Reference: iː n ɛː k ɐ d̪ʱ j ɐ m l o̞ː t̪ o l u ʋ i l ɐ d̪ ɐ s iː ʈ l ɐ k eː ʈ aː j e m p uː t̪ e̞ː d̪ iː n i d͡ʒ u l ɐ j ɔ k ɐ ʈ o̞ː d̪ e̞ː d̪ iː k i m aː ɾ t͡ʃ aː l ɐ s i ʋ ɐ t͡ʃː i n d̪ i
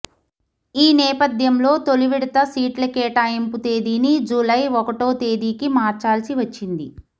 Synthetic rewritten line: iː n ɛː p ɐ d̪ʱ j ɐ m l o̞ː t̪ o l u ʋ i ɽ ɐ t̪ ɐ s iː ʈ l ɐ k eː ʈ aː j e m p u t̪ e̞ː d̪ iː n i d͡ʒ u l ɐ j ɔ k ɐ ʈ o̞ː t̪ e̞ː d̪ iː k i m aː ɾ t͡ʃ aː l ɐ s i ʋ ɐ t͡ʃː i n d̪ i